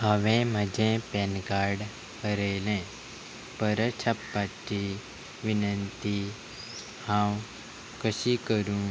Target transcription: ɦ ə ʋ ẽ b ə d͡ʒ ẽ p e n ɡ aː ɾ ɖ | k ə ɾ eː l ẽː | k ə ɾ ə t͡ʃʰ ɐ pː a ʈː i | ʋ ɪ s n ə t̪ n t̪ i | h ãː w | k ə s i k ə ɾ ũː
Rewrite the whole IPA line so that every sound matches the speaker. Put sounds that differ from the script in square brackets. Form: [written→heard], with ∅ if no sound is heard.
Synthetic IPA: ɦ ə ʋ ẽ [b→m] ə d͡ʒ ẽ p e n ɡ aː ɾ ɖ | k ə ɾ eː l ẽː | [k→p] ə ɾ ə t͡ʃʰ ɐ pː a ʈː i | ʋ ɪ [s→∅] n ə [t̪→∅] n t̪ i | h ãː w | k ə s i k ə ɾ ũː